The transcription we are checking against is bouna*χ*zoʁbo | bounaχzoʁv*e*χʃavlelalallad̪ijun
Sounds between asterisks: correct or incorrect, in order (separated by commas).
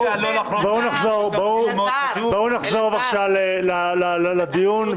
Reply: correct, incorrect